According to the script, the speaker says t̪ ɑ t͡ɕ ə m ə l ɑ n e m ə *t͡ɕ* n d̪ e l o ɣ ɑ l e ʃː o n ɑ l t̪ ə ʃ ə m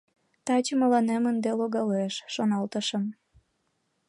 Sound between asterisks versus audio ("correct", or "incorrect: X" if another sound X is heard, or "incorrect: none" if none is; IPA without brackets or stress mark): incorrect: none